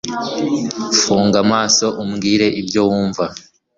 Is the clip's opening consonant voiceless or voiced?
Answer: voiceless